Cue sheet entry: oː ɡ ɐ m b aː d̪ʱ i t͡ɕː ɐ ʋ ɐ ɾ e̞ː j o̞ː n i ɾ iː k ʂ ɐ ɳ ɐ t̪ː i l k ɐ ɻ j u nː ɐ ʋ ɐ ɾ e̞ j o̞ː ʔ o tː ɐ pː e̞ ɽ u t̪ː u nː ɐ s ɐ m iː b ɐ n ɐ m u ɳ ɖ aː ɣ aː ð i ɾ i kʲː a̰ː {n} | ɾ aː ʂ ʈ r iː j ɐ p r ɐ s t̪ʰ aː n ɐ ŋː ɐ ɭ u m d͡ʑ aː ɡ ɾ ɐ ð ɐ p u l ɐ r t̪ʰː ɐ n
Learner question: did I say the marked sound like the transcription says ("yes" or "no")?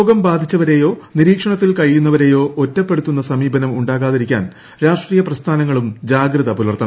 yes